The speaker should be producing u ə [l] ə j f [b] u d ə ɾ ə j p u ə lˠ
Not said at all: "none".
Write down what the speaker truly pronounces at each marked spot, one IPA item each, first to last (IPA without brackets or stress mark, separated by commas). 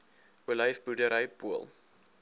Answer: l, b